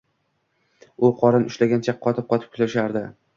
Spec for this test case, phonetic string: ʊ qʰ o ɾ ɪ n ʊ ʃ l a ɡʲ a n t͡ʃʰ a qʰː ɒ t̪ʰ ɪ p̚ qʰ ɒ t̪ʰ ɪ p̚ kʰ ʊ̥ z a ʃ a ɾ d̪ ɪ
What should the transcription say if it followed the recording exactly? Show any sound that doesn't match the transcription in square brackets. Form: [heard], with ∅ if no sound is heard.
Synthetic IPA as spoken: ʊ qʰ [ɒ] ɾ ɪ n ʊ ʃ l a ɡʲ a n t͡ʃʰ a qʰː ɒ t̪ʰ ɪ p̚ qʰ ɒ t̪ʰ ɪ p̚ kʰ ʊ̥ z a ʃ a ɾ d̪ ɪ